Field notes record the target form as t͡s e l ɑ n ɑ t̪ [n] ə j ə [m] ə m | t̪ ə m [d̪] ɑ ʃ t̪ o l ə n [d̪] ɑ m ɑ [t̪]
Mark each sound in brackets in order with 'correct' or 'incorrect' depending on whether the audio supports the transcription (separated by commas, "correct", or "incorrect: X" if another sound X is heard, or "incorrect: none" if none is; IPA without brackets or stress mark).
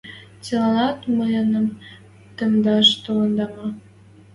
incorrect: m, incorrect: n, correct, correct, incorrect: none